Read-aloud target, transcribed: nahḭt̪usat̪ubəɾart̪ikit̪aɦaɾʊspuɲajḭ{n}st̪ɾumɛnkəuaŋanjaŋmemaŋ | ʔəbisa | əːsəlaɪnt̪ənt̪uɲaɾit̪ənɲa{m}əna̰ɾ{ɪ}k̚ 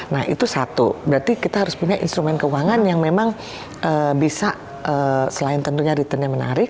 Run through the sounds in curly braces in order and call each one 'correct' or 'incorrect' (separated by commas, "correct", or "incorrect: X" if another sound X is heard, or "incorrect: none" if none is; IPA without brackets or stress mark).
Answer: correct, correct, correct